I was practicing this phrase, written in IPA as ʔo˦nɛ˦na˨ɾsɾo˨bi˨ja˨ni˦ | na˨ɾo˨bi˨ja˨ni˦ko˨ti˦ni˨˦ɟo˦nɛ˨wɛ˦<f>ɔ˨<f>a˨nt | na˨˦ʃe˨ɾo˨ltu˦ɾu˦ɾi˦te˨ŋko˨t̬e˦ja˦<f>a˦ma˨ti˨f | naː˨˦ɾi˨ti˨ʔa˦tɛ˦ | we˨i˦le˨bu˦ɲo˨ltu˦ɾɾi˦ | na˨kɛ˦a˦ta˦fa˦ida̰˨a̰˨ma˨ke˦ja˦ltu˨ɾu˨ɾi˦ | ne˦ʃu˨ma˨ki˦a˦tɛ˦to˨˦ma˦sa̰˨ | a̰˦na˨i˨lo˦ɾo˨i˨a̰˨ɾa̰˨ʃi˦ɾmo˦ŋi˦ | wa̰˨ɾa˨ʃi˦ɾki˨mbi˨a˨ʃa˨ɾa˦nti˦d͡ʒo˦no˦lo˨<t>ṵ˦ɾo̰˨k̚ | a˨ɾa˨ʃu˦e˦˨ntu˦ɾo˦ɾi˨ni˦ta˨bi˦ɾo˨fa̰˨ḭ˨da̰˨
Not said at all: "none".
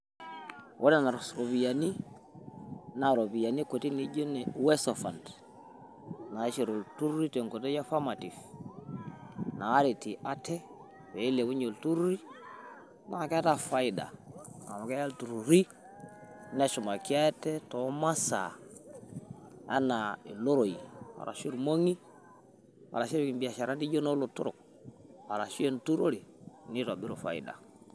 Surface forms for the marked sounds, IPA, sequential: s, f, f, t

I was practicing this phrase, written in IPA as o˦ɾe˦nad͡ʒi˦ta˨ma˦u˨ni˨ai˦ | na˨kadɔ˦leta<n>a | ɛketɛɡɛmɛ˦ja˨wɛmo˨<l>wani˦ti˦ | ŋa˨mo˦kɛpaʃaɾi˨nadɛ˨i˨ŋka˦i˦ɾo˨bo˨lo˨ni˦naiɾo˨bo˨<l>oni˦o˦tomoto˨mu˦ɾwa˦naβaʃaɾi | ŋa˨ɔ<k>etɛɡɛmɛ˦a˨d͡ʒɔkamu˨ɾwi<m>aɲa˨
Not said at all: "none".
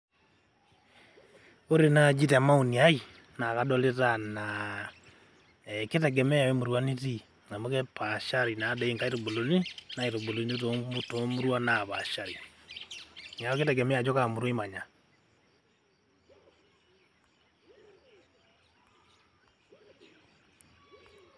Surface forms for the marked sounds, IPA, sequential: n, ɾ, l, k, m

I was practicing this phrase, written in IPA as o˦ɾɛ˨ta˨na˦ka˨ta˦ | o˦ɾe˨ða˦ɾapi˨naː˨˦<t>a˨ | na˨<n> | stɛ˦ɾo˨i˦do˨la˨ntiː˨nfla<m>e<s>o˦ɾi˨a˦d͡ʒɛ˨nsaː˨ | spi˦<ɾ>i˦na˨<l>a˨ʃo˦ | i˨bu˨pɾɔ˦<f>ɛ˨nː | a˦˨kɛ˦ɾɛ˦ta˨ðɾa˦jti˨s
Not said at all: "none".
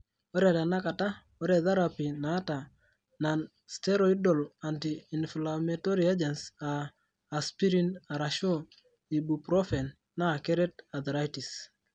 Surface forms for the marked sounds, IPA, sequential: t, n, m, t, ɾ, ɾ, f

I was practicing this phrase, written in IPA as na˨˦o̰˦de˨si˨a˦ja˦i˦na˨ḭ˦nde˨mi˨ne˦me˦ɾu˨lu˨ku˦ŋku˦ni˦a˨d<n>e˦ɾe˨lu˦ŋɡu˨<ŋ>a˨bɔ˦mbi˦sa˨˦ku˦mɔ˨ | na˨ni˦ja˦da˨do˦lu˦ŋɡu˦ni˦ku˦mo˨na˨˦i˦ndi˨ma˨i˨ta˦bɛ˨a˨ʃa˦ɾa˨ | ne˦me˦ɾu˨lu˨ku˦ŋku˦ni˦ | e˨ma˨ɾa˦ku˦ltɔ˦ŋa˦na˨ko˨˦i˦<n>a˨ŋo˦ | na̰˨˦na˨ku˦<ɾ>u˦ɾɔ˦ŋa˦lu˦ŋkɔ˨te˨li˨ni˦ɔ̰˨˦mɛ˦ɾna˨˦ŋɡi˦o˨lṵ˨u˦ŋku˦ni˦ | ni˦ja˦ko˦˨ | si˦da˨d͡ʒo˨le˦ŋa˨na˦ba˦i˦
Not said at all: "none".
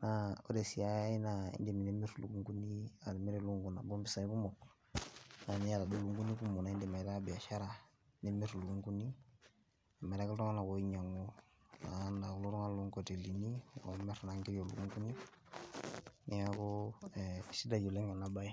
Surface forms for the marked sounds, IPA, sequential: m, n, ɲ, l

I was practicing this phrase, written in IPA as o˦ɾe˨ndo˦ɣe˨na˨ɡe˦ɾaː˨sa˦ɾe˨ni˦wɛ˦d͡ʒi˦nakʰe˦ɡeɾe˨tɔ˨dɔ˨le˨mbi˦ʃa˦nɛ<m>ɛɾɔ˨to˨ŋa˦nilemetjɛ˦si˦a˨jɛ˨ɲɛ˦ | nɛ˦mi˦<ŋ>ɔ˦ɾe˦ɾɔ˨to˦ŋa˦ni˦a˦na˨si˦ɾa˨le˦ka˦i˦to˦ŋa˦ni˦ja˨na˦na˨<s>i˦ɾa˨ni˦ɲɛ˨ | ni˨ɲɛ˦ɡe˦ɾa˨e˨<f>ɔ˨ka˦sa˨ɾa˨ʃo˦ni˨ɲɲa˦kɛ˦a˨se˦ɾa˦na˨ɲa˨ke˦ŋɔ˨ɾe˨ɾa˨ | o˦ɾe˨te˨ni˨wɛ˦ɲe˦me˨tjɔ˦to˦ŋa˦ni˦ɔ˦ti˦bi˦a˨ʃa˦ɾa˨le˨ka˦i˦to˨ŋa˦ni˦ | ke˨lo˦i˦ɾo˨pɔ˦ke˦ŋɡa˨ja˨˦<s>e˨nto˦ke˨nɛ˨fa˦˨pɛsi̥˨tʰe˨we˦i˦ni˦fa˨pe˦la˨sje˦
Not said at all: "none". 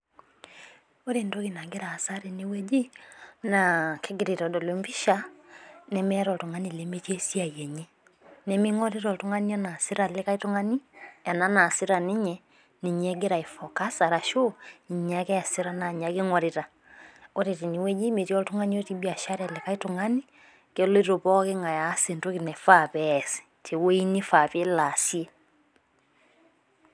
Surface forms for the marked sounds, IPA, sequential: m, ŋ, s, f, s

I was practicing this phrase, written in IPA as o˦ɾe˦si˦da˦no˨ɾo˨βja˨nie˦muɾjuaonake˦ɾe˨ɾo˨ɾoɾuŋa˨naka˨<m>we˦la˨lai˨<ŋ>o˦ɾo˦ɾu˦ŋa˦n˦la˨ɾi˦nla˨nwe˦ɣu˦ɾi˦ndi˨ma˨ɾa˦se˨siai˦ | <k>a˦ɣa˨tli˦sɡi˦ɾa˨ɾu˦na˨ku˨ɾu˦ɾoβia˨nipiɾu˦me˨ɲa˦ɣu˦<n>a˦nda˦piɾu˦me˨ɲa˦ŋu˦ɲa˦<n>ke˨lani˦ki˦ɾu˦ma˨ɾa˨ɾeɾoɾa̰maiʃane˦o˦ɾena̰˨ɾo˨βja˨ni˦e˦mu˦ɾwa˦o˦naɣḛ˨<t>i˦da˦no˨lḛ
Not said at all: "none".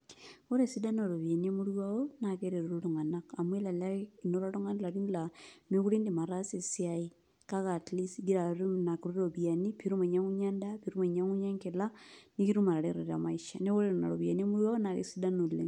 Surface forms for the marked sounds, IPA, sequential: m, n, k, ɲ, ŋ, s

